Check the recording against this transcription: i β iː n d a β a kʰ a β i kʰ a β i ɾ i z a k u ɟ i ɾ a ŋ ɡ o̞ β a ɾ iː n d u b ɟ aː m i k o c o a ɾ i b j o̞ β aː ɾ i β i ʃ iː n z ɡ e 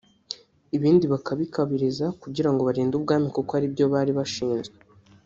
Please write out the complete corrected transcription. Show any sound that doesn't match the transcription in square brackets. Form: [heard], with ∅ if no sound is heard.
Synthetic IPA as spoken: i β iː n d [i] β a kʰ a β i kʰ a β i ɾ i z a k u ɟ i ɾ a ŋ ɡ o̞ β a ɾ iː n d u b [ɡ] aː m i k o [k] o a ɾ i b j o̞ β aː ɾ i β [a] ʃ iː n z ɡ e